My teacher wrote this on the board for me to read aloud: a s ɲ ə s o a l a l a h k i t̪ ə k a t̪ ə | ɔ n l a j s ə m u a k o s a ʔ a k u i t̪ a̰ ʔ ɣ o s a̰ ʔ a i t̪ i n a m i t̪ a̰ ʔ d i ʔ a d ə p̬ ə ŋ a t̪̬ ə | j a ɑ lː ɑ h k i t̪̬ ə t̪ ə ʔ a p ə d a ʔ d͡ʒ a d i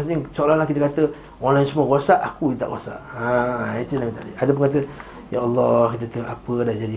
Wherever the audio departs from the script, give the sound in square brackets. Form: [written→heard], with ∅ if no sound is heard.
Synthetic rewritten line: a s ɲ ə s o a l a l a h k i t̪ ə k a t̪ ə | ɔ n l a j s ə m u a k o s a ʔ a k u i t̪ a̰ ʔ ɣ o s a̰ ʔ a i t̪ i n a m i t̪ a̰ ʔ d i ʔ a d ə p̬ ə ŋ a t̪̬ ə | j a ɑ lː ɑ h k i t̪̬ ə t̪ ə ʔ a p ə d a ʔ d͡ʒ a d i